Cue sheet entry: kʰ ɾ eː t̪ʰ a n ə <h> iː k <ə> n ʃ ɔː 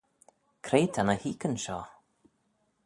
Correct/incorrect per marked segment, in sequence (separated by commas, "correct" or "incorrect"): correct, correct